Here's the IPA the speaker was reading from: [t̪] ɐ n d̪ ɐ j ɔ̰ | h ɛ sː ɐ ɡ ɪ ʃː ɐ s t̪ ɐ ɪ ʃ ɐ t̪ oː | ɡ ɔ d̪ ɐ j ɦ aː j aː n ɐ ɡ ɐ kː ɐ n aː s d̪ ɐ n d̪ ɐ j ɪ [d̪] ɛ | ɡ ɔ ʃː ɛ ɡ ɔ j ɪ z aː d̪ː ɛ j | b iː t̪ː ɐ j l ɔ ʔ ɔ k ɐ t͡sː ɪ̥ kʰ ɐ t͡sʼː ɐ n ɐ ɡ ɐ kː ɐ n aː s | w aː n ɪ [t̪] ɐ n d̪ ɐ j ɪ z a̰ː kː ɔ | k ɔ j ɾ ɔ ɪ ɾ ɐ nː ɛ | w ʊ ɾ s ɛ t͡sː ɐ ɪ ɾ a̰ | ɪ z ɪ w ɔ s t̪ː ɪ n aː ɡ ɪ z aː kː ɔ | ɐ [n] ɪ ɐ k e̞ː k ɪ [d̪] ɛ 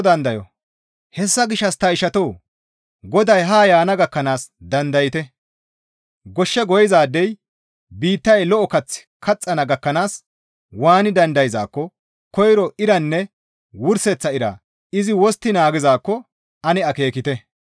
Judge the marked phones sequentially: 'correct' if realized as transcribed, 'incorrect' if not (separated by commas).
incorrect, incorrect, incorrect, correct, incorrect